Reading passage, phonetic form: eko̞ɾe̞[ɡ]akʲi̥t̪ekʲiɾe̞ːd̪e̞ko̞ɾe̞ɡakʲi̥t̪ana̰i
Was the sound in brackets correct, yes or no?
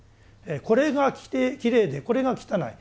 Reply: yes